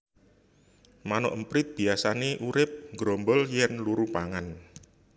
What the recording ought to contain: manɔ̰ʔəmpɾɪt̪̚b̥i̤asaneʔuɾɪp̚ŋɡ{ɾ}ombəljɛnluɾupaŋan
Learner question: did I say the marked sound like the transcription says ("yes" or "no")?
yes